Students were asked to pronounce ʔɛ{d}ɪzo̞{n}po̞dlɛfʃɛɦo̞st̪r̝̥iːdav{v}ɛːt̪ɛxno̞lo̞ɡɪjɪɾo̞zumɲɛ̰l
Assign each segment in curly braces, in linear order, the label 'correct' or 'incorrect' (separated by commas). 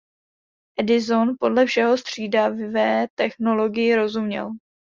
correct, correct, correct